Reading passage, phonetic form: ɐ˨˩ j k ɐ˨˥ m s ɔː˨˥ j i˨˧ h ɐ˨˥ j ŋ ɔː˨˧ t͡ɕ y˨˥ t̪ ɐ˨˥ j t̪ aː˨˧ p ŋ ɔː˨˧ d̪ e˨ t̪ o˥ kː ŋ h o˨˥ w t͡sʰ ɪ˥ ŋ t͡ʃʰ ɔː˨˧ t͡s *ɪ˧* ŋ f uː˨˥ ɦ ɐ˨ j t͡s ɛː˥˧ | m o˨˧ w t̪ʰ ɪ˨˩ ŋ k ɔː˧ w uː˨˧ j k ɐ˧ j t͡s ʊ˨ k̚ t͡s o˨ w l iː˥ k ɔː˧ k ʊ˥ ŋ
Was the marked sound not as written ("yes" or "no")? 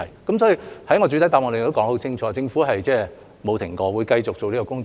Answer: no